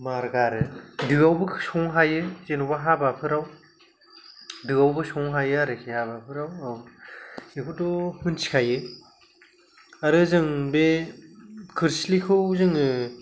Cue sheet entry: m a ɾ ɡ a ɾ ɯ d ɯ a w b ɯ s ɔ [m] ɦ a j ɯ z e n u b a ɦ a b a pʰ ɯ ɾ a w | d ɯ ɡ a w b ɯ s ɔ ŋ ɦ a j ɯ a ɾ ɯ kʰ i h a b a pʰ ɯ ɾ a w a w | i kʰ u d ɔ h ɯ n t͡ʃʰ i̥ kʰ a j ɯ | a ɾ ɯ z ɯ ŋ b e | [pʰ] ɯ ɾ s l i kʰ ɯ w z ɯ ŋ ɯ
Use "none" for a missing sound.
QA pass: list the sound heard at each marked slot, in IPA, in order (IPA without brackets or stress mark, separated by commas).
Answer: ŋ, kʰ